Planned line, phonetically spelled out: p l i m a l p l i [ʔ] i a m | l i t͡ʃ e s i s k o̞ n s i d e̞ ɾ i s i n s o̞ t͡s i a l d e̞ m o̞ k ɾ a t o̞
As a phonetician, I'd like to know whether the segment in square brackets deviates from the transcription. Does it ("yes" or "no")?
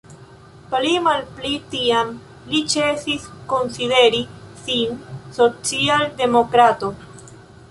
yes